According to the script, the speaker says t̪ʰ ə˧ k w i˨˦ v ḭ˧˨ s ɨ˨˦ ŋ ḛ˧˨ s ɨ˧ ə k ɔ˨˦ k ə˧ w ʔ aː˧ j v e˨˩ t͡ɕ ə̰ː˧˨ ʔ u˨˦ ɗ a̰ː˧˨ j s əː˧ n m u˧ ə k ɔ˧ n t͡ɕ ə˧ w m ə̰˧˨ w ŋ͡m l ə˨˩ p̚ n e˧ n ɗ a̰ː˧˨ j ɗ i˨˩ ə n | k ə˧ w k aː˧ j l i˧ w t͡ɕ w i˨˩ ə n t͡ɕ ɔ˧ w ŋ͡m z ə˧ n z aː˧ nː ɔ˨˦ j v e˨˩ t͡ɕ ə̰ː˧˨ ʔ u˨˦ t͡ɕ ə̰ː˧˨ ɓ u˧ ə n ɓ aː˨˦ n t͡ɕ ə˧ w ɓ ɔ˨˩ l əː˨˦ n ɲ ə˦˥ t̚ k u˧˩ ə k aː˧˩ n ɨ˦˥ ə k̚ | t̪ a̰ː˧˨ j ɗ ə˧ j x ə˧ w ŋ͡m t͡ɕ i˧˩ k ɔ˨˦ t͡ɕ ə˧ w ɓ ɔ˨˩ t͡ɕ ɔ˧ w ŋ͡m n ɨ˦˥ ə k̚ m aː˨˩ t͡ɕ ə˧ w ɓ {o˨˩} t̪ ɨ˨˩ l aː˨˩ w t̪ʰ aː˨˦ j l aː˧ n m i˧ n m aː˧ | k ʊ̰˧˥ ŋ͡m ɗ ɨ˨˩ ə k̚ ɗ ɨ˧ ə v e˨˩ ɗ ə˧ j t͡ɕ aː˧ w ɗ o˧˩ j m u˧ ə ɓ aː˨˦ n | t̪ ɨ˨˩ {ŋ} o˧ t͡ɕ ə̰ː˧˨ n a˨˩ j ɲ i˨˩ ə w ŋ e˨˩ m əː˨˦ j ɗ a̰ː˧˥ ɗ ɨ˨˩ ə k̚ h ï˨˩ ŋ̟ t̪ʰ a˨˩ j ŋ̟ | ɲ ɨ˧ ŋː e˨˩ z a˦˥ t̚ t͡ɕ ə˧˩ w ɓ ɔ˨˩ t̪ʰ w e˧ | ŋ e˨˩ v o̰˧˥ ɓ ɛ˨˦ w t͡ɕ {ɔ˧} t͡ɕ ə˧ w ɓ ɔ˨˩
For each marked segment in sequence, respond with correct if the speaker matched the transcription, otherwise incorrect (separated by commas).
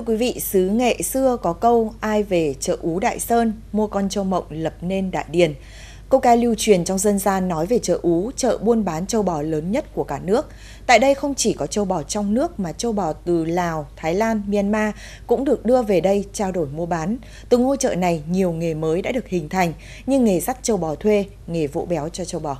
incorrect, correct, correct